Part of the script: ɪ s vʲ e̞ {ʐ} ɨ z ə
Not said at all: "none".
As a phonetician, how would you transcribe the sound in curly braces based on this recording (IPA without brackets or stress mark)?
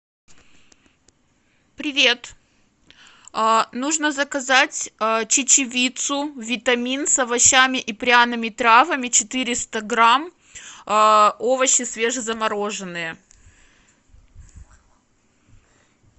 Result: ʐ